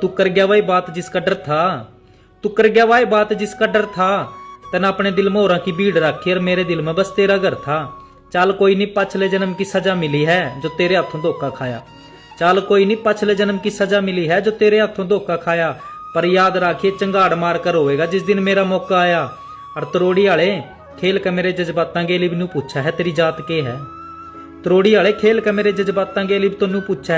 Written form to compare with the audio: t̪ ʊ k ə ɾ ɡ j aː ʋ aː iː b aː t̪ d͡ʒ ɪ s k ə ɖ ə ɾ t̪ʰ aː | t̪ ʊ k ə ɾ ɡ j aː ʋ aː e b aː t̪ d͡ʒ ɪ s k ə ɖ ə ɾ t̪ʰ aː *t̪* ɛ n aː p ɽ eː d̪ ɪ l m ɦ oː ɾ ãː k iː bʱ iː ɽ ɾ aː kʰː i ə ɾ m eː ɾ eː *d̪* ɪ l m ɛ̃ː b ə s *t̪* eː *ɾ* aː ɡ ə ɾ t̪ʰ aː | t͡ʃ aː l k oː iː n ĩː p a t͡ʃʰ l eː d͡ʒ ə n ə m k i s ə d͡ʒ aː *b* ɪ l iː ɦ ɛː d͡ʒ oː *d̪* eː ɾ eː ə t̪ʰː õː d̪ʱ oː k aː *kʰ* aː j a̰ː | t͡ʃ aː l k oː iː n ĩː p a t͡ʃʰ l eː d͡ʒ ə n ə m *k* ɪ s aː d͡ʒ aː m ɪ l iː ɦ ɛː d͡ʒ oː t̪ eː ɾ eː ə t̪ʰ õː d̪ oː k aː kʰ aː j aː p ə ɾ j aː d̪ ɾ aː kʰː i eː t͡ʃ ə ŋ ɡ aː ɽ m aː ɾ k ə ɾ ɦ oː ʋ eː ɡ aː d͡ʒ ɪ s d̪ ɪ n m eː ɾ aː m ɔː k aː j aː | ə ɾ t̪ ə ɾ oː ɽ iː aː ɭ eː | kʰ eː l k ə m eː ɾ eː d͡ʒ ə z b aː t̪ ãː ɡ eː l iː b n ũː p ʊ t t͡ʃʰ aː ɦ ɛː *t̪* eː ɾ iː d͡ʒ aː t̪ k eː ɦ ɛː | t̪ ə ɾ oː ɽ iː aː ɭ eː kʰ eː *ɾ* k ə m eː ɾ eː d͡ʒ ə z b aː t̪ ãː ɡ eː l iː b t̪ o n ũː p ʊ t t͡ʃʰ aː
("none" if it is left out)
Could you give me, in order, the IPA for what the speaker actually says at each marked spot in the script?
t̪, d̪, t̪, ɾ, m, t̪, kʰ, k, t̪, l

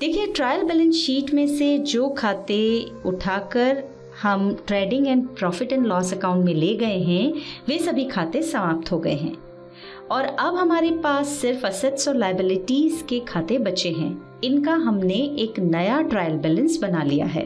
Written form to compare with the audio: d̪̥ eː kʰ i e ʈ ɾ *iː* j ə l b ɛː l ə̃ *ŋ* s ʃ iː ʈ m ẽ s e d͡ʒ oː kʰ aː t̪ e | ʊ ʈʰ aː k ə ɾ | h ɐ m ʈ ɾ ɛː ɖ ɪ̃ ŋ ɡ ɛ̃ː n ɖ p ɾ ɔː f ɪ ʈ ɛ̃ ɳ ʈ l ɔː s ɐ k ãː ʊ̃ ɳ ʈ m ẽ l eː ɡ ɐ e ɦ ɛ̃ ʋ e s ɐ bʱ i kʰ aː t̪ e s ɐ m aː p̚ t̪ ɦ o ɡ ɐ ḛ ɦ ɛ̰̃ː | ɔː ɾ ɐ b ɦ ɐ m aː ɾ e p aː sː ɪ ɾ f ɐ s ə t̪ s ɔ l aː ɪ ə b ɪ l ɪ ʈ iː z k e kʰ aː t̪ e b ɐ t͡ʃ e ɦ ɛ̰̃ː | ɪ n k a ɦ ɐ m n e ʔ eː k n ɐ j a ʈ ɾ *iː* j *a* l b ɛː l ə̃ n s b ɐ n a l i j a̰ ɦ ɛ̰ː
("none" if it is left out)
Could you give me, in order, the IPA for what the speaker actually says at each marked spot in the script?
aː, n, aː, ə

